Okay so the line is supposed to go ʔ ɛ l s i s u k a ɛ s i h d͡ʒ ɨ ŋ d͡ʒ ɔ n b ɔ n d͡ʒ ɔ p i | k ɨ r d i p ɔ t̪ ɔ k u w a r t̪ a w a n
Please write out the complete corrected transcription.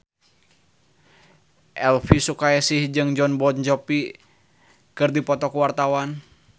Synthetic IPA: ʔ ɛ l f i s u k a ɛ s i h d͡ʒ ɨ ŋ d͡ʒ ɔ n b ɔ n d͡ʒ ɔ p i | k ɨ r d i p ɔ t̪ ɔ k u w a r t̪ a w a n